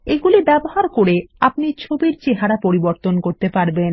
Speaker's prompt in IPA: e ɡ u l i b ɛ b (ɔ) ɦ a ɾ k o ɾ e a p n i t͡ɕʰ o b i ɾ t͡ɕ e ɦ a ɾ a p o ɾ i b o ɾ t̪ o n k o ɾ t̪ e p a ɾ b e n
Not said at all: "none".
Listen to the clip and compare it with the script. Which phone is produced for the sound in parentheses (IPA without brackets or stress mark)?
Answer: o